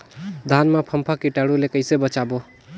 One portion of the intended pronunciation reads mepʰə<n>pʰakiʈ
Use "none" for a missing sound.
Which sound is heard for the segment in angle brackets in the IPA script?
m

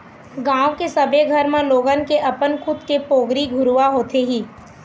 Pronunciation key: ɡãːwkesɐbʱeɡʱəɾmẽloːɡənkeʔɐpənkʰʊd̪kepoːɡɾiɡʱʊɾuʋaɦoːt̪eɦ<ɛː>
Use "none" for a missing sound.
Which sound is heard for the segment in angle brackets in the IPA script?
iː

